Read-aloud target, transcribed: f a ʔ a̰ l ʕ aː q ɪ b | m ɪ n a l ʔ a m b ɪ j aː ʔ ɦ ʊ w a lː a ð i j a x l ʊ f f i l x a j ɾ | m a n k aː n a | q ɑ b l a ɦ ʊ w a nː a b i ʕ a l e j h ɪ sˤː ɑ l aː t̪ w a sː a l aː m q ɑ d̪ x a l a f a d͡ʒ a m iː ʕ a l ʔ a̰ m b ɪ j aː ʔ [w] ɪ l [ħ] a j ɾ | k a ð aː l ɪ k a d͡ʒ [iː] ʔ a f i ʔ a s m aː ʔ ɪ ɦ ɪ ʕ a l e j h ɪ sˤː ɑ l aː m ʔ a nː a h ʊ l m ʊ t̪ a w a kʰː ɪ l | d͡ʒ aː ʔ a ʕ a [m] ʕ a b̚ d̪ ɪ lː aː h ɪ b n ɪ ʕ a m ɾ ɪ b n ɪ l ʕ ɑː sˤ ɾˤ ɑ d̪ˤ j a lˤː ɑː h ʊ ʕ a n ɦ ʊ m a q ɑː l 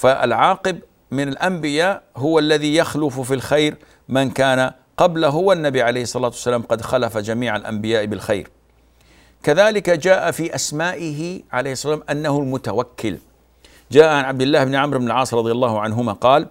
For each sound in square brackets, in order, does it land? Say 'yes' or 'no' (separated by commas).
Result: no, no, no, no